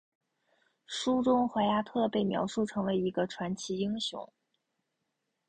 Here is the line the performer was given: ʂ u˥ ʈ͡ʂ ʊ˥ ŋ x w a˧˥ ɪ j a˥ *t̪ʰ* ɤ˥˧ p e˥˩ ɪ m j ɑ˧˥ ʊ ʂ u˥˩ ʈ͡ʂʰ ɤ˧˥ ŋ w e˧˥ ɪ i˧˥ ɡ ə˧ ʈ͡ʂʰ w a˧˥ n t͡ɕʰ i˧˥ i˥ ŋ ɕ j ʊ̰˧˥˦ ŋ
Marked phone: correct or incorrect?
correct